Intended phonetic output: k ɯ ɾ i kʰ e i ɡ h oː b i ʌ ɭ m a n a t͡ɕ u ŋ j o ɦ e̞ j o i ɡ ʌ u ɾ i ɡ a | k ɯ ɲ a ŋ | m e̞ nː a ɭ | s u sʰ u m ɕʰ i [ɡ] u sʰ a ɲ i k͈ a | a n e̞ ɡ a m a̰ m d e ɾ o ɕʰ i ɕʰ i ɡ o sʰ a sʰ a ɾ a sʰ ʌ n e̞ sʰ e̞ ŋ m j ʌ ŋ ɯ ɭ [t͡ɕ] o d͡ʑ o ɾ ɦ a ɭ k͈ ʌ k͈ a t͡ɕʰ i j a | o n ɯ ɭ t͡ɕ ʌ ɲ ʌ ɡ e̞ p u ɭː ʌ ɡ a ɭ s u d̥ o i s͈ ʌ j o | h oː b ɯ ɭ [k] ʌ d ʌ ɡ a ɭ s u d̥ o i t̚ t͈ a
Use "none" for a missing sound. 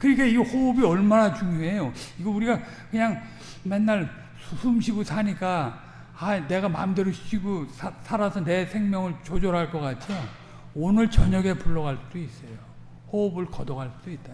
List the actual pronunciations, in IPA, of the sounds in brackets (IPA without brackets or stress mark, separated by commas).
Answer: ɡ, t͡ɕ, k